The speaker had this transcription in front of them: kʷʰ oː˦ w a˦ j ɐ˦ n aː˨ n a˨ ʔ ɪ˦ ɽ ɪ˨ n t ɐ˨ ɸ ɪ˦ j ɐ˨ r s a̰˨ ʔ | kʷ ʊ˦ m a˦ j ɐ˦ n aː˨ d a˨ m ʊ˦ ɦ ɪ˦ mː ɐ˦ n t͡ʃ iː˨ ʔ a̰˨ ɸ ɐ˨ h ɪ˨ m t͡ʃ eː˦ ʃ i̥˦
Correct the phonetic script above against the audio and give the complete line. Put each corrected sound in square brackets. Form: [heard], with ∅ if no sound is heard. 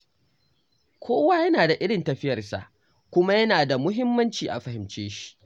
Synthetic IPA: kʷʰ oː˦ w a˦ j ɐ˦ n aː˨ [d] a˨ ʔ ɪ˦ ɽ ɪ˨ n t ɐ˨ ɸ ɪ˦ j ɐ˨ r s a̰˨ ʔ | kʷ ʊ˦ m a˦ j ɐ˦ n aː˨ d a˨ m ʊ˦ ɦ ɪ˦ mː ɐ˦ n t͡ʃ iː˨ ʔ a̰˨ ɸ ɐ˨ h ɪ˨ m t͡ʃ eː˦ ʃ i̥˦